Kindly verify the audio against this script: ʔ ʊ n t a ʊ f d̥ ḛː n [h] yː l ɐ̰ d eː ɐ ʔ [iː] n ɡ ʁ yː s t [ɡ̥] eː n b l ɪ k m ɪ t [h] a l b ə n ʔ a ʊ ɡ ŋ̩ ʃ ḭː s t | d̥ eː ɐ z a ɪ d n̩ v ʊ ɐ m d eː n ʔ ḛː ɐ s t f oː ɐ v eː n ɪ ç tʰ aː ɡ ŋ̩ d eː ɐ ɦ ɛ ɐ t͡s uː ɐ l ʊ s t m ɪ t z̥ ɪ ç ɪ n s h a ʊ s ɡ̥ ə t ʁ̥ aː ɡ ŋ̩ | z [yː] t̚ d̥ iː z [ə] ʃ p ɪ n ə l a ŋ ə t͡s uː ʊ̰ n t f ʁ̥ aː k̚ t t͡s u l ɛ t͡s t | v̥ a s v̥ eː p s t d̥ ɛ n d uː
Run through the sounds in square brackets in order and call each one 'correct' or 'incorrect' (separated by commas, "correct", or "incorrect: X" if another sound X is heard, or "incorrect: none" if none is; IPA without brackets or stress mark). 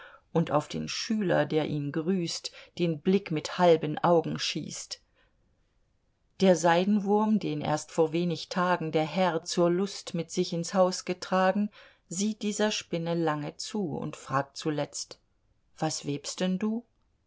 incorrect: ʃ, correct, incorrect: d̥, correct, incorrect: iː, incorrect: ɐ